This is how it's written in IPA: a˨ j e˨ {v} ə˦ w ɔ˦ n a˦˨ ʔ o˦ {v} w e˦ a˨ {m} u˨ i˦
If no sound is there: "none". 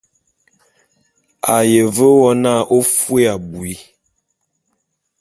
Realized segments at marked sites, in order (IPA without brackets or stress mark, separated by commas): v, f, b